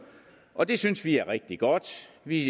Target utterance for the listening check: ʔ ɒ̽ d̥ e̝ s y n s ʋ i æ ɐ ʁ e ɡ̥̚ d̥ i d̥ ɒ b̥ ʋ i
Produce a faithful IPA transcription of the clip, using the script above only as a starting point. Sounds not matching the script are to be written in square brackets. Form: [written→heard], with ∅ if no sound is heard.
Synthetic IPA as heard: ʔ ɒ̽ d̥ e̝ s y n s ʋ i æ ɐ ʁ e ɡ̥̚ d̥ i [d̥→ɡ̥] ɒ [b̥→d̥] ʋ i